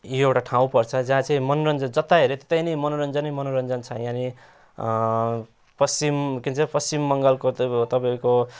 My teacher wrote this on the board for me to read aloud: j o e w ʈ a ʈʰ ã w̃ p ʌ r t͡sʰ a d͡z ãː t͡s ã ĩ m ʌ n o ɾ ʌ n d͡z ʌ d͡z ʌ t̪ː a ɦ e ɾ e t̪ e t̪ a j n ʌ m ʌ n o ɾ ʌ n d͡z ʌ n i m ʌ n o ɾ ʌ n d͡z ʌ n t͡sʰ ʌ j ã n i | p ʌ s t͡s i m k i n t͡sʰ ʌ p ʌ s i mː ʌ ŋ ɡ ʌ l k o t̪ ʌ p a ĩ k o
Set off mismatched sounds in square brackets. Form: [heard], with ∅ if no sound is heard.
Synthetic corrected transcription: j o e w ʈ a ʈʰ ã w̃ p ʌ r t͡sʰ [ʌ] d͡z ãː t͡s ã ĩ m ʌ n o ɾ ʌ n d͡z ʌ d͡z ʌ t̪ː a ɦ e ɾ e t̪ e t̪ a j n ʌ m ʌ n o ɾ ʌ n d͡z ʌ n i m ʌ n o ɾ ʌ n d͡z ʌ n t͡sʰ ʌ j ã n i | p ʌ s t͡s i m k i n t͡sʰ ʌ p ʌ s i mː ʌ ŋ ɡ ʌ l k o t̪ ʌ p a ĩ k o